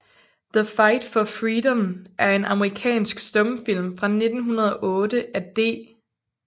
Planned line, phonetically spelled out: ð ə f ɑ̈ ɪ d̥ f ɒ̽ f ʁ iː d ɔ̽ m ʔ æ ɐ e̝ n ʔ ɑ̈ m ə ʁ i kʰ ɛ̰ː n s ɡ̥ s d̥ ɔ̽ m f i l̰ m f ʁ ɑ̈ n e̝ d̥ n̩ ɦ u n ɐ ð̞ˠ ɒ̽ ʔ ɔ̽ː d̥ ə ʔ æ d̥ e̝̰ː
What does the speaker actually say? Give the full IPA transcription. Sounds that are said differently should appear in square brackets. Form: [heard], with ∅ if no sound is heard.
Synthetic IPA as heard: ð ə f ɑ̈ ɪ d̥ f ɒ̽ f ʁ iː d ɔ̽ m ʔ æ ɐ e̝ n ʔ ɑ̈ m ə ʁ i kʰ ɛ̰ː n s ɡ̥ s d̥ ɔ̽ m f i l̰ m f ʁ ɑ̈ n e̝ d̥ n̩ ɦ u n ɐ ð̞ˠ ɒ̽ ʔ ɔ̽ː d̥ ə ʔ æ d̥ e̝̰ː